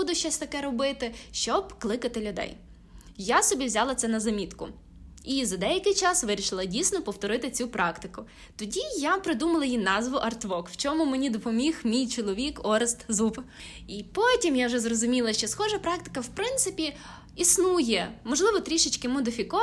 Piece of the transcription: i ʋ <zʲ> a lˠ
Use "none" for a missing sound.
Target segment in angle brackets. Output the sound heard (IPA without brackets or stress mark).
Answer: zʲ